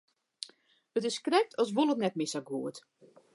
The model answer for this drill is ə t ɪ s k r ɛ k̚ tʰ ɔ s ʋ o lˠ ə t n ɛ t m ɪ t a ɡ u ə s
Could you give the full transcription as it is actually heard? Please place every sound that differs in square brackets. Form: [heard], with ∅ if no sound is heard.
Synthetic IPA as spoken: ə t ɪ s k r ɛ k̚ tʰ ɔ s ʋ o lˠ ə t n ɛ t m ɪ [s] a ɡ u ə [t]